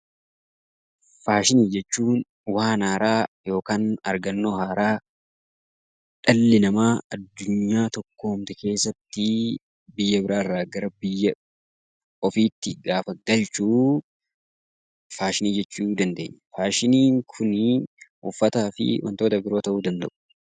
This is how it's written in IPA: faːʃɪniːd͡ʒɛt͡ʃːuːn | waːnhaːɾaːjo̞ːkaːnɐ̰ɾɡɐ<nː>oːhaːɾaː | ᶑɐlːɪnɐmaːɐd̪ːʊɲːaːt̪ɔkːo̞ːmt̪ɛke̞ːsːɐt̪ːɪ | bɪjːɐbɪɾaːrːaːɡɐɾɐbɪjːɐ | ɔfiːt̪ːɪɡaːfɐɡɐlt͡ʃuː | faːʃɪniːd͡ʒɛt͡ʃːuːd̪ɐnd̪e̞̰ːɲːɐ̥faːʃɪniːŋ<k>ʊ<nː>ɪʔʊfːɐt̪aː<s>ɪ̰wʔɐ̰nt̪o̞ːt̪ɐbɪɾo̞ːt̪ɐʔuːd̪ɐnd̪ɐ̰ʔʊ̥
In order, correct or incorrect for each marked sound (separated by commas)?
correct, incorrect, incorrect, incorrect